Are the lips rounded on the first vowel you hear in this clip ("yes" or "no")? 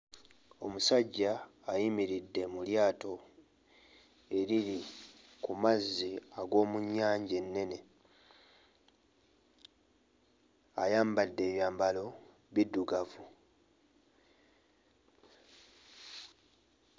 yes